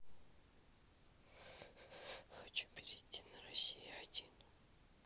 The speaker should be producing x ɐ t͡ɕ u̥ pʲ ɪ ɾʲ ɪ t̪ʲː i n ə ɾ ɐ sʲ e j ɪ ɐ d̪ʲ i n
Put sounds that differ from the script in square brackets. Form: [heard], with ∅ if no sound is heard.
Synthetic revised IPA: x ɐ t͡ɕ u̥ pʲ ɪ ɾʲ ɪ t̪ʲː i n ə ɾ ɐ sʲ [i] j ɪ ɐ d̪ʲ i n